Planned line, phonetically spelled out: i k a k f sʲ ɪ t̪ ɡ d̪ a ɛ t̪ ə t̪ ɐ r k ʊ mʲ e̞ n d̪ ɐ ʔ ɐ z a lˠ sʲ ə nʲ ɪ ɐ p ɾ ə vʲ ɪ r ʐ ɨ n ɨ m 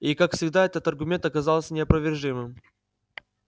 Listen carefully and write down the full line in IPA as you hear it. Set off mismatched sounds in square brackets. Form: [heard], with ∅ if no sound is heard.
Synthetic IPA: i k a k f sʲ ɪ [∅] ɡ d̪ a ɛ t̪ ə t̪ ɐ r [ɡ] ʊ mʲ e̞ n [t̪] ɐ [k] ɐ z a lˠ sʲ ə nʲ ɪ ɐ p ɾ ə vʲ ɪ r ʐ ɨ [m] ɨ m